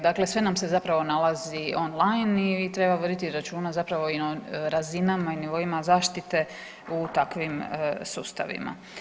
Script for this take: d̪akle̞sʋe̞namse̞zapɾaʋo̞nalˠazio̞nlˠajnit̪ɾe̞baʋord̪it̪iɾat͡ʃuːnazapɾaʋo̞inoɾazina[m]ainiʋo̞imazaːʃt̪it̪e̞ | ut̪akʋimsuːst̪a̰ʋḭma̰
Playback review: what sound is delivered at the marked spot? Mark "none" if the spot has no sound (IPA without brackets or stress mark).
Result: m